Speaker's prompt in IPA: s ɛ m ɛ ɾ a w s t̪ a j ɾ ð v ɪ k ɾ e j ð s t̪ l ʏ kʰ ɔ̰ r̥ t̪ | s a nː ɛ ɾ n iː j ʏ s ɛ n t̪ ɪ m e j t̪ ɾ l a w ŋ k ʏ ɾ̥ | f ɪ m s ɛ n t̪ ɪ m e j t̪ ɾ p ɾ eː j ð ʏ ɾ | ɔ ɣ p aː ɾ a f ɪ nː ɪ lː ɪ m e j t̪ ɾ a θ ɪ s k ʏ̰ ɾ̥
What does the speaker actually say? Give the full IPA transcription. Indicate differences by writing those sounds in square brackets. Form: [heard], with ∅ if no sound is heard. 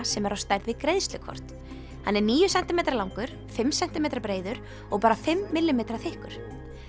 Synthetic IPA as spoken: s ɛ m ɛ ɾ a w s t̪ a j ɾ ð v ɪ k ɾ e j ð s t̪ l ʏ kʰ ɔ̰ r̥ t̪ | [h] a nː ɛ ɾ n iː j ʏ s ɛ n t̪ ɪ m e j t̪ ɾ l a w ŋ k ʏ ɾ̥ | f ɪ m s ɛ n t̪ ɪ m e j t̪ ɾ p ɾ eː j ð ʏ ɾ | ɔ ɣ p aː ɾ a f ɪ [mː] ɪ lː ɪ m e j t̪ ɾ a θ ɪ [h] k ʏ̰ ɾ̥